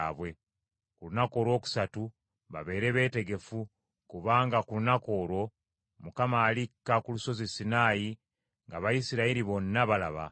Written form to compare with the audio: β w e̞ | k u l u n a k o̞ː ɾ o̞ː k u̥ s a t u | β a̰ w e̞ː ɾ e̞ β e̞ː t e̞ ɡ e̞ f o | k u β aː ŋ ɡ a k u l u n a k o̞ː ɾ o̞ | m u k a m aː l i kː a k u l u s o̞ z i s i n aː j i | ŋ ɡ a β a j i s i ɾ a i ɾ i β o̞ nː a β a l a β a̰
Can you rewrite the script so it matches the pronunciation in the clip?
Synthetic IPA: β w e̞ | k u l u n a k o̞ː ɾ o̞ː k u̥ s a t u | β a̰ β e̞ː ɾ e̞ β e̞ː t e̞ ɡ e̞ f u | k u β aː ŋ ɡ a k u l u n a k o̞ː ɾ o̞ | m u k a m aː l i kː a k u l u s o̞ z i s i n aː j i | ŋ ɡ a β a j i s i ɾ a i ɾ i β o̞ nː a β a l a β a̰

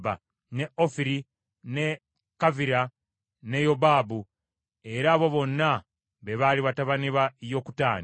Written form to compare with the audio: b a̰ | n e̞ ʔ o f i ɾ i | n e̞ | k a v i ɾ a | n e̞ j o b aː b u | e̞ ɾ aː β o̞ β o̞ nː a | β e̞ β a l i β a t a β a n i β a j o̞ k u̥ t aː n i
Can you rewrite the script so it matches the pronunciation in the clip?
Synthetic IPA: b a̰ | n e̞ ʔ o f i ɾ i | n e̞ | k a v i ɾ a | n e̞ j o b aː b u | e̞ ɾ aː β o̞ β o̞ nː a | β e̞ β a l i β a t a β a n i β a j o̞ k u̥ t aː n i

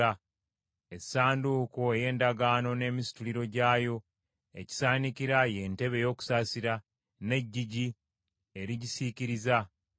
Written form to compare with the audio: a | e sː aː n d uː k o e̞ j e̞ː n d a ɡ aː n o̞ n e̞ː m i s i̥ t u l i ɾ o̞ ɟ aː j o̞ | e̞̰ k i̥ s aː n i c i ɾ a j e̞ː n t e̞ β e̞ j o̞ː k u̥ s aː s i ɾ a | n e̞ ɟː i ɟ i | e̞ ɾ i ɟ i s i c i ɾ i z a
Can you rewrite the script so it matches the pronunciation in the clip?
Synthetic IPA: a | e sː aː n d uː k o e̞ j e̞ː n d a ɡ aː n o̞ n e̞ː m i s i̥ t u l i ɾ o̞ ɟ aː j o̞ | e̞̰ c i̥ s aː n i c i ɾ a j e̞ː n t e̞ β e̞ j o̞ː k u̥ s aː s i ɾ a | n e̞ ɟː i ɟ i | e̞ ɾ i ɟ i s i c i ɾ i z a

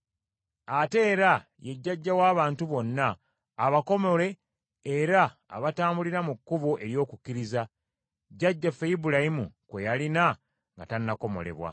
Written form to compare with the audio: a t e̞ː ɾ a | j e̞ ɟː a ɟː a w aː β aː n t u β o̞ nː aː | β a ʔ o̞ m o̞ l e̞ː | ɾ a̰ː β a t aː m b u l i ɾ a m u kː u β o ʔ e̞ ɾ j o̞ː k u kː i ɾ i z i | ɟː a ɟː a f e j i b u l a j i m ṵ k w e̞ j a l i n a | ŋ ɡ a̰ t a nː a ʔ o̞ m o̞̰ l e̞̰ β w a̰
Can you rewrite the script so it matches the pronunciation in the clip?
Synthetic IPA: a t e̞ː ɾ a | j e̞ ɟː a ɟː a w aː β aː n t u β o̞ nː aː | β a k o̞ m o̞ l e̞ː | ɾ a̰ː β a t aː m b u l i ɾ a m u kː u β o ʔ e̞ ɾ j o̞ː k u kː i ɾ i z a | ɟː a ɟː a f e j i b u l a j i m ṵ k w e̞ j a l i n a | ŋ ɡ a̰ t a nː a k o̞ m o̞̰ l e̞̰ β w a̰

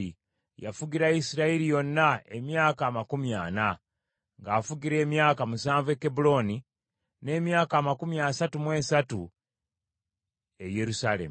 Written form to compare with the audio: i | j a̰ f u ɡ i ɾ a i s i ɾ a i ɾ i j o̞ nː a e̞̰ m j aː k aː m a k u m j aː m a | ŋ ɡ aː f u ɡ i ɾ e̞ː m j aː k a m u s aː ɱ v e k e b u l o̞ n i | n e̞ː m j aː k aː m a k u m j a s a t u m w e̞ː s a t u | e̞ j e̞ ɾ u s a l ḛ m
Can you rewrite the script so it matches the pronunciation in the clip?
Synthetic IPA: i | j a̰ f u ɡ i ɾ a i s i ɾ a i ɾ i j o̞ nː a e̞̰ m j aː k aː m a k u m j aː n a | ŋ ɡ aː f u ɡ i ɾ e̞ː m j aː k a m u s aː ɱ v e k e b u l o̞ n i | n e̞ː m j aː k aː m a k u m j a s a t u m w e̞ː s a t u | e̞ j e̞ ɾ u s a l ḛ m

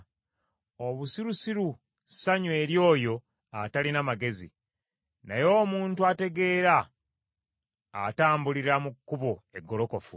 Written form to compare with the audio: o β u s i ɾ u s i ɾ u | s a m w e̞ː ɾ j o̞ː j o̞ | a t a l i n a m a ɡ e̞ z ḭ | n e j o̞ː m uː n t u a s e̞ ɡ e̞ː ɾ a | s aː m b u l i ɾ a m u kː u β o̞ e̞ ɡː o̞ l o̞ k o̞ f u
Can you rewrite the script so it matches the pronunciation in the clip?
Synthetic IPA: o β u s i ɾ u s i ɾ u | s a ɲ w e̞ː ɾ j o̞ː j o̞ | a t a l i n a m a ɡ e̞ z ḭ | n a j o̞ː m uː n t u a t e̞ ɡ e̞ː ɾ a | t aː m b u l i ɾ a m u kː u β o̞ e̞ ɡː o̞ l o̞ k o̞ f u

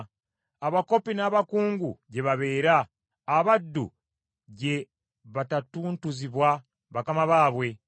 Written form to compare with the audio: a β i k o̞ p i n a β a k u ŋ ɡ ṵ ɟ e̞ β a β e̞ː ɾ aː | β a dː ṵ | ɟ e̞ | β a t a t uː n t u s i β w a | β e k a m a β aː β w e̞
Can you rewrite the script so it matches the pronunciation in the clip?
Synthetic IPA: a β a k o̞ p i n a β a k uː ŋ ɡ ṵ ɟ e̞ β a β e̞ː ɾ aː | β a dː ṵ | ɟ e̞ | β a t a t uː n t u z i β w a | β a k a m a β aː β w e̞

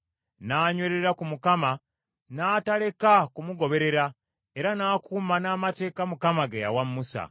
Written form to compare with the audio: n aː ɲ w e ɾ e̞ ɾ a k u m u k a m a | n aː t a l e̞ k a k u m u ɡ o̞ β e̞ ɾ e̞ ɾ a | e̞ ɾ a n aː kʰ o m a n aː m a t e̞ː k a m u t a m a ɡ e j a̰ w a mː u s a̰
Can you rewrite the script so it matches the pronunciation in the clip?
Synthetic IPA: n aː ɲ w e ɾ e̞ ɾ a k u m u k a m a | n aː t a l e̞ k a k u m u ɡ o̞ β e̞ ɾ e̞ ɾ a | e̞ ɾ a n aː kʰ u m a n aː m a t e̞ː k a m u k a m a ɡ e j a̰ w a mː u s a̰

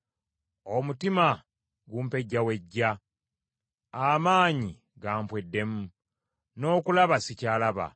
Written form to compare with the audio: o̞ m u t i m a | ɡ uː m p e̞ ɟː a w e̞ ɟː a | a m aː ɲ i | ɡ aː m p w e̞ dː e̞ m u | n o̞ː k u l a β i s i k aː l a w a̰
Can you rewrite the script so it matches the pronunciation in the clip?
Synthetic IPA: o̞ m u t i m a | ɡ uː m p e̞ ɟː a w e̞ ɟː a | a m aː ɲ i | ɡ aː m p w e̞ dː e̞ m u | n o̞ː k u l a β a s i c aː l a β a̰

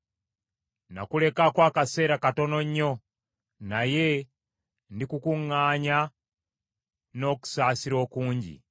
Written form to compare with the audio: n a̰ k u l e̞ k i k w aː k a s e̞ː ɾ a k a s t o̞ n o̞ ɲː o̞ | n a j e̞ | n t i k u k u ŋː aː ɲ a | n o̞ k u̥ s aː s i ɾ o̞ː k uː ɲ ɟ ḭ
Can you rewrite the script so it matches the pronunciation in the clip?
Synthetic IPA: n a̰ k u l e̞ k a k w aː k a s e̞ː ɾ a k a t o̞ n o̞ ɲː o̞ | n a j e̞ | n d i k u k u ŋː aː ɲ a | n o̞ k u̥ s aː s i ɾ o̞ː k uː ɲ ɟ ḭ

